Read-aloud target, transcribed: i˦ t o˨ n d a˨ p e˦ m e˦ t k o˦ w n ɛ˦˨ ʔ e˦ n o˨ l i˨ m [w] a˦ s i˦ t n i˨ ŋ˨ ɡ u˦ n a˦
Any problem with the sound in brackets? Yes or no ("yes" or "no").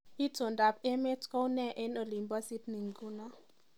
yes